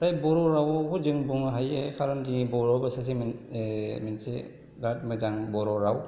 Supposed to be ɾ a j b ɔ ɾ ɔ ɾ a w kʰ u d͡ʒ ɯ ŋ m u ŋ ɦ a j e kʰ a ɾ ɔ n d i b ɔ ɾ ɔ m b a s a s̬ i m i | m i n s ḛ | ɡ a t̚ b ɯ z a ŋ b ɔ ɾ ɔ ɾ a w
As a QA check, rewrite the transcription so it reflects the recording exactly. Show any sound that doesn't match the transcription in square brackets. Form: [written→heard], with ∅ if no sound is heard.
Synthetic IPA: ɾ a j b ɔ ɾ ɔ ɾ a w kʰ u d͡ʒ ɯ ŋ [m→b] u ŋ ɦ a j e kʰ a ɾ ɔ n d i b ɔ ɾ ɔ [m→∅] b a s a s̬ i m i | m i n s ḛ | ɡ a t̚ [b→m] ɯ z a ŋ b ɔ ɾ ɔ ɾ a w